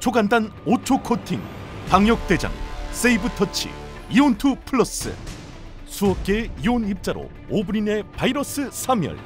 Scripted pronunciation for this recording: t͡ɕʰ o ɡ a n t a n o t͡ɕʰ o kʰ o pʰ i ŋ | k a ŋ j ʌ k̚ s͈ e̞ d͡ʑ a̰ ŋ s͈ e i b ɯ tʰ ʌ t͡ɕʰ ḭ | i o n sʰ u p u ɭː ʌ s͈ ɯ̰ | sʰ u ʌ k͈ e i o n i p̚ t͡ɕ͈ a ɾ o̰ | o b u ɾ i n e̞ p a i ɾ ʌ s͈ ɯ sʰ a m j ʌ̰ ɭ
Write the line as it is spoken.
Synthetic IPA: t͡ɕʰ o ɡ a n d a n o t͡ɕʰ o kʰ o tʰ i ŋ | p a ŋ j ʌ k̚ t͈ e̞ d͡ʑ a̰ ŋ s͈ e i b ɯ tʰ ʌ t͡ɕʰ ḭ | i o n tʰ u pʰ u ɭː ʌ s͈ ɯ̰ | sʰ u ʌ k͈ e i o n i p̚ t͡ɕ͈ a ɾ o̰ | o b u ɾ i n e̞ p a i ɾ ʌ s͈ ɯ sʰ a m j ʌ̰ ɭ